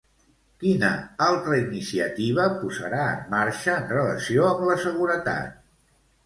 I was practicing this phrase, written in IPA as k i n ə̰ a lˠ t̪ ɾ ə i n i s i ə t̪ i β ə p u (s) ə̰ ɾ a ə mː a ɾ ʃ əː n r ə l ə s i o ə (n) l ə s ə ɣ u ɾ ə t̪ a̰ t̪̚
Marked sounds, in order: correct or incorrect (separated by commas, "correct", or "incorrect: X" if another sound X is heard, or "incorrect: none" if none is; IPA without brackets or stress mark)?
incorrect: z, incorrect: m